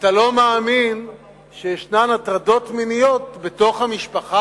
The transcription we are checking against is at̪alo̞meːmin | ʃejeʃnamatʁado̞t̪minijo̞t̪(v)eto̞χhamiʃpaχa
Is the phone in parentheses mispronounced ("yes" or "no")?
yes